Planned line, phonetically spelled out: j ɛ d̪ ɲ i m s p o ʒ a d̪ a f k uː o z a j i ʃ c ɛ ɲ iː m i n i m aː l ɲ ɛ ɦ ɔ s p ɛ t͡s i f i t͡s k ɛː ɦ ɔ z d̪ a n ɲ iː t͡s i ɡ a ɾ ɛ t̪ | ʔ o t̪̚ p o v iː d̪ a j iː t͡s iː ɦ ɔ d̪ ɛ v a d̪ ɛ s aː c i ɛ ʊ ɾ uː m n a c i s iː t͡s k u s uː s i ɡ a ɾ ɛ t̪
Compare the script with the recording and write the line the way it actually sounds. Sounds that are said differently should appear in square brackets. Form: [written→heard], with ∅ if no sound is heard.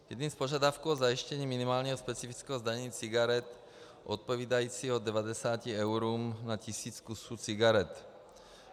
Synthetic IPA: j ɛ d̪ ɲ i m s p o ʒ a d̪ a f k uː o z a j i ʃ c ɛ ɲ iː m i n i m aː l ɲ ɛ ɦ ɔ s p ɛ t͡s i f i t͡s k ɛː ɦ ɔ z d̪ a [n→ɲ] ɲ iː t͡s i ɡ a ɾ ɛ t̪ | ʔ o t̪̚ p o v iː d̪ a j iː t͡s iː ɦ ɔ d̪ ɛ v a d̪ ɛ s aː c i ɛ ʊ ɾ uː m n a c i s iː t͡s k u s uː [s→t͡s] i ɡ a ɾ ɛ t̪

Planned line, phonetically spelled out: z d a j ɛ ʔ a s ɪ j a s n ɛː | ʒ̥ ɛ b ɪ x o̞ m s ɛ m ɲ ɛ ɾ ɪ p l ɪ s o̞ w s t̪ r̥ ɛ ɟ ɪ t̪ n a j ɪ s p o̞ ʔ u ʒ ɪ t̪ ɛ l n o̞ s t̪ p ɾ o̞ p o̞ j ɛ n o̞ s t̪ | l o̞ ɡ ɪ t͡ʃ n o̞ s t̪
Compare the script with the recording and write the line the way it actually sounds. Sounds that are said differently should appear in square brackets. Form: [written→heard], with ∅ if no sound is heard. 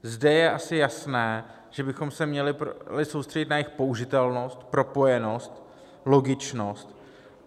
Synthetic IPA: z d [a→ɛ] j ɛ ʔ a s ɪ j a s n ɛː | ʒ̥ ɛ b ɪ x o̞ m s ɛ m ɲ ɛ [ɾ→l] ɪ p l ɪ s o̞ w s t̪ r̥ ɛ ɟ ɪ t̪ n a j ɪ [s→x] p o̞ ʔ u ʒ ɪ t̪ ɛ l n o̞ s t̪ p ɾ o̞ p o̞ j ɛ n o̞ s t̪ | l o̞ ɡ ɪ t͡ʃ n o̞ s t̪

